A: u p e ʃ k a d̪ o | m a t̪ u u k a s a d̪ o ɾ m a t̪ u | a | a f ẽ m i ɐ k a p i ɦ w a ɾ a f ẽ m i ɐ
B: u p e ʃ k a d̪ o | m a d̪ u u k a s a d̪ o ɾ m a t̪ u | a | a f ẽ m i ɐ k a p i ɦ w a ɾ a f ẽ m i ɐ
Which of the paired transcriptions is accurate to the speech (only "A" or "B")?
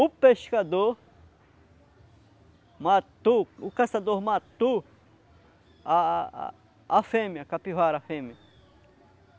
A